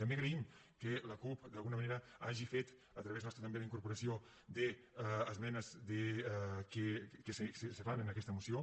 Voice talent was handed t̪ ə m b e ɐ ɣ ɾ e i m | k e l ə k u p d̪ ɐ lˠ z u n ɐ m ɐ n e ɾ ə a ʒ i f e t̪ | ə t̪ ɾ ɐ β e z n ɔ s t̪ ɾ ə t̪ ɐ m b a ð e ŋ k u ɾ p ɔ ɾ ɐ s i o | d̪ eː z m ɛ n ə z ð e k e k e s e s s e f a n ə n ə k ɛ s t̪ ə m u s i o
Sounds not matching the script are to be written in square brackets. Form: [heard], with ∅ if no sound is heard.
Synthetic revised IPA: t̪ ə m b e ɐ ɣ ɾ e i m | k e l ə k u p d̪ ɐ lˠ [ɣ] u n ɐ m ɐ n e ɾ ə a ʒ i f e t̪ | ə t̪ ɾ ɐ β e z n ɔ s t̪ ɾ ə t̪ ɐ m b [e] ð [i] ŋ k u ɾ p [u] ɾ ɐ s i o | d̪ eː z m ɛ n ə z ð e k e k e s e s s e f a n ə n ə k ɛ s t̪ ə m u s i o